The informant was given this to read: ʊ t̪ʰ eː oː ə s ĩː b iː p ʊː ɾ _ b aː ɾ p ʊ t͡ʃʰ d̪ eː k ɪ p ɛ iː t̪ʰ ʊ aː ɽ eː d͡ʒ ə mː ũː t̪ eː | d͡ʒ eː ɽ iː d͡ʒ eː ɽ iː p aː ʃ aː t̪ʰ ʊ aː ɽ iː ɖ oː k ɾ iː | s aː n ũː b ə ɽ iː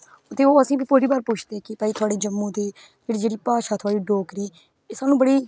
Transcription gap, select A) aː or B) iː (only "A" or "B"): B